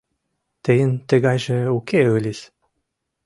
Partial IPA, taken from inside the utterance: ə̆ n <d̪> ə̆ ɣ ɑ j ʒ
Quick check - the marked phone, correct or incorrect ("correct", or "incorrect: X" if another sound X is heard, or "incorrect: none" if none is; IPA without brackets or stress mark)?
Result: incorrect: t̪